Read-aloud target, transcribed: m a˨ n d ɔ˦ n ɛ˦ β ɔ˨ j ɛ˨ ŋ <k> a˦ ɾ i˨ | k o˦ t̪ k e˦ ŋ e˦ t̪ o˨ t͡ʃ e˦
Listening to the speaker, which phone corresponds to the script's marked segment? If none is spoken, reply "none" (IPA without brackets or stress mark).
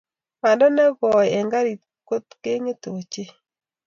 ɡ